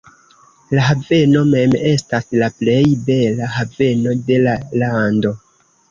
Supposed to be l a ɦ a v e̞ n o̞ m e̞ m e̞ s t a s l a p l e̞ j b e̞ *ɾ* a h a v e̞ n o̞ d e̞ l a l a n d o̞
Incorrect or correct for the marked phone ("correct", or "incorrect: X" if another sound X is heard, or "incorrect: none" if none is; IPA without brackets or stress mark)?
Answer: incorrect: l